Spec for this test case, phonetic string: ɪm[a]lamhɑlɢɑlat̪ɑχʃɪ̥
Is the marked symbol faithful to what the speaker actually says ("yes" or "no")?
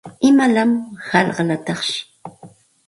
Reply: yes